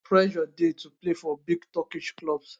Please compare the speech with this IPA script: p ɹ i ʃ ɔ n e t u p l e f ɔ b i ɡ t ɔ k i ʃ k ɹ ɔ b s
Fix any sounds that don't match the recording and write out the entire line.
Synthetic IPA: p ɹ ɛ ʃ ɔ d e t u p l e f ɔ b i ɡ t ɔ k i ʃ k l ɔ b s